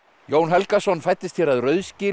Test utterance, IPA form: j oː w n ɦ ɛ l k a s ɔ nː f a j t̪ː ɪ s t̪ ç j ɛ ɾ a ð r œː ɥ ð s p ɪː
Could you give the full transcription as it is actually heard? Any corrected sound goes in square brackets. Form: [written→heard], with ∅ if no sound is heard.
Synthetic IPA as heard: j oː w n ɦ ɛ l k a s ɔ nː f a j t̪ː ɪ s t̪ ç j ɛ ɾ a ð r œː ɥ ð s [p→c] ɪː